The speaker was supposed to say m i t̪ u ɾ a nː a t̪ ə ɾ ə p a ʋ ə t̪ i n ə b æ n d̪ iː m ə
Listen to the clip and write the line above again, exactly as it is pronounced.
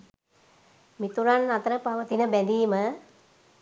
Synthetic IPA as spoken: m i t̪ u ɾ a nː a t̪ ə ɾ ə p a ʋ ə t̪ i n ə b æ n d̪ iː m ə